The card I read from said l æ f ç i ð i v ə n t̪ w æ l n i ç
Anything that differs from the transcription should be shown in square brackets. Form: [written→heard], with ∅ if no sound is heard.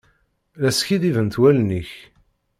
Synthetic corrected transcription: l æ [f→s] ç i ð i v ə n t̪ w æ l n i ç